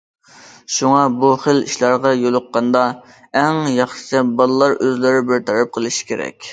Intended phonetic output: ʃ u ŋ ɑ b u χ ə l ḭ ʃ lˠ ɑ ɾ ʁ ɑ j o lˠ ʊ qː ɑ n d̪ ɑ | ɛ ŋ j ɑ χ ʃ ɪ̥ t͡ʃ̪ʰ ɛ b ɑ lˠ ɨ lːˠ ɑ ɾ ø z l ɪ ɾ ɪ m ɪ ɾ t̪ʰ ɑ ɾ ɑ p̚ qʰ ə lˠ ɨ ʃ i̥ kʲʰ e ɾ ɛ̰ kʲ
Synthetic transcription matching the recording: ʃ u ŋ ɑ b u χ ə l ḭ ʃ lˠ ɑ ɾ ʁ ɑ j o lˠ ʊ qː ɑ n d̪ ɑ | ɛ ŋ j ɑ χ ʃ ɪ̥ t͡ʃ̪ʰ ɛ b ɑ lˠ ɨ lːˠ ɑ ɾ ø z l ɪ ɾ ɪ b ɪ ɾ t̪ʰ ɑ ɾ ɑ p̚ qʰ ə lˠ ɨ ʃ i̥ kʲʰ e ɾ ɛ̰ kʲ